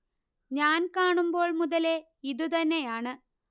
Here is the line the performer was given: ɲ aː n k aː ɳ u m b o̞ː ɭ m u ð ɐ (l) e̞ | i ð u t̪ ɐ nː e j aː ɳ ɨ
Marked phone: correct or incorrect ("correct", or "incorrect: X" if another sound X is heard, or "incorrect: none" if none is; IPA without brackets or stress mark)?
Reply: correct